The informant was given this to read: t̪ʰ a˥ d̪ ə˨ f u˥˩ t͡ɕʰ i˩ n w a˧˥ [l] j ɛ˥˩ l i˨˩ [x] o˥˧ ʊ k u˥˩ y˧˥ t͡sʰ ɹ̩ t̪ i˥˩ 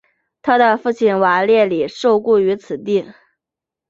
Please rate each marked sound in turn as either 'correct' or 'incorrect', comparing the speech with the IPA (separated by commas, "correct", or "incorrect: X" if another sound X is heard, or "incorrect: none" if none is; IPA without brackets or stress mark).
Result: correct, incorrect: ʂ